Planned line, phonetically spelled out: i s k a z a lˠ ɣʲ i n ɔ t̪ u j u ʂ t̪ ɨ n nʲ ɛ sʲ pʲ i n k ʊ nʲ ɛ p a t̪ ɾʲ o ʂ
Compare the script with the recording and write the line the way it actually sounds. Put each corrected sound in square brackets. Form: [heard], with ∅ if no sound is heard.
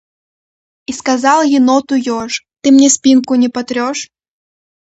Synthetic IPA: i s k a z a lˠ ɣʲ i n ɔ t̪ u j [ɔ] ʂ t̪ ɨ [m] nʲ ɛ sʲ pʲ i n k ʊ nʲ ɛ p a t̪ ɾʲ [ɔ] ʂ